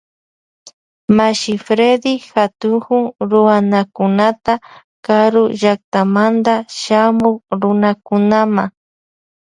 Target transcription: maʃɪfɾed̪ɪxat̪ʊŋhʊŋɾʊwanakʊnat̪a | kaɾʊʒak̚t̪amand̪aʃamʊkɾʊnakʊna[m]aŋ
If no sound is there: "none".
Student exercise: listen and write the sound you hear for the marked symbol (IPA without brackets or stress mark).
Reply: m